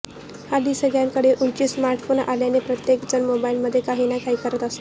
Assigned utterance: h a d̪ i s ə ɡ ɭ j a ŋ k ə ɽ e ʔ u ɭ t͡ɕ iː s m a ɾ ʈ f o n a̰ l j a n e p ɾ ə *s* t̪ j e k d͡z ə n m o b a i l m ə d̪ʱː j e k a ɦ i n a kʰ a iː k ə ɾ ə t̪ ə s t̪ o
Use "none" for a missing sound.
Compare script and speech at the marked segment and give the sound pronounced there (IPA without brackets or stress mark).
none